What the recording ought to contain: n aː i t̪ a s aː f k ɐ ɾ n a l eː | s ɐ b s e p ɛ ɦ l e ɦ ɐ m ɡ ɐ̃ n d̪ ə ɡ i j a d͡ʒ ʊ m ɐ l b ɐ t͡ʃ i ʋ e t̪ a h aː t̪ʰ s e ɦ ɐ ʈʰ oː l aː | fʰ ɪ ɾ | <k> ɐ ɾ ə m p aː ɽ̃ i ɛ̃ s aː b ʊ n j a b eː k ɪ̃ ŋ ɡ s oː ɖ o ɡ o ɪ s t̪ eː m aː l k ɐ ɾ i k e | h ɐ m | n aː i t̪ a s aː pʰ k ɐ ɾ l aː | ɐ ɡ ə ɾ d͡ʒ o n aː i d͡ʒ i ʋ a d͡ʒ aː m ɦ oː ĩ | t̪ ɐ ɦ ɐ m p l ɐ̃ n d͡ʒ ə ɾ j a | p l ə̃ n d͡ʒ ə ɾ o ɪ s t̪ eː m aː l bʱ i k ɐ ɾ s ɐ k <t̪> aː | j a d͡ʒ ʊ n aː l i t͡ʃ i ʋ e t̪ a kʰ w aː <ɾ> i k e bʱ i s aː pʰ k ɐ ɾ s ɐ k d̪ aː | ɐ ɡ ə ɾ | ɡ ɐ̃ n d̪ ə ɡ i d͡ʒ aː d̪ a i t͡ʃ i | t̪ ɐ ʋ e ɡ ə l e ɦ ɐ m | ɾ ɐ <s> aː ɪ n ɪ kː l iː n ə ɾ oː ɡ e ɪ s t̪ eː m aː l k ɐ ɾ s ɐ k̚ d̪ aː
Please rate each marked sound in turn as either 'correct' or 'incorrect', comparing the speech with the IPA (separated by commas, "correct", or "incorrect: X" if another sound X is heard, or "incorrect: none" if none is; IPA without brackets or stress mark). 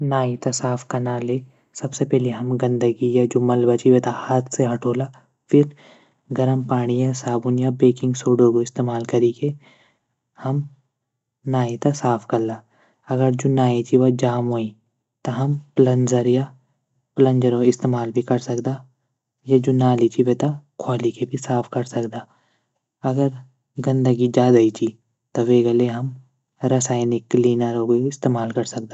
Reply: incorrect: ɡ, incorrect: d̪, incorrect: l, correct